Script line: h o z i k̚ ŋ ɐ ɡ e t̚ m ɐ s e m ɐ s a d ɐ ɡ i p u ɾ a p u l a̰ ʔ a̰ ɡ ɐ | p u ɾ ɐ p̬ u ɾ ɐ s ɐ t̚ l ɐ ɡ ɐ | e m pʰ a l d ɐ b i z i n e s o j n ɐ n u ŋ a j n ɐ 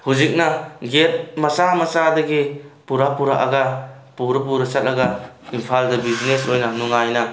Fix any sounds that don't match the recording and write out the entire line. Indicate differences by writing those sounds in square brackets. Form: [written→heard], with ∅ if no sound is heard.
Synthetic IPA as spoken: h [o→u] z i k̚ [ŋ→n] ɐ ɡ e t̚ m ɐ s [e→a] m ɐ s a d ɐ ɡ i p u ɾ a p u [l→ɾ] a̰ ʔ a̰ ɡ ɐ | p u ɾ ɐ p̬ u ɾ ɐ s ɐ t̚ l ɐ ɡ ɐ | [e→i] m pʰ a l d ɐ b i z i n e s o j n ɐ n u ŋ a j n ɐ